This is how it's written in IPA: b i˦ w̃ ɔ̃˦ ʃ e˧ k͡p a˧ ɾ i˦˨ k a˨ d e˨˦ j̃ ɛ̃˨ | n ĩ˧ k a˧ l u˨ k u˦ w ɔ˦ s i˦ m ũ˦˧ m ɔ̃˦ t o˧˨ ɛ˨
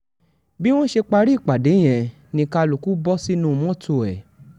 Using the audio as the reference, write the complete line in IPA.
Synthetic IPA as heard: b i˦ w̃ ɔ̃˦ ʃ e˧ k͡p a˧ ɾ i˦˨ k͡p a˨ d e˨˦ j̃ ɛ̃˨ | n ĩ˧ k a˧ l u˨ k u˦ b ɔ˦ s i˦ n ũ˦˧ m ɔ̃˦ t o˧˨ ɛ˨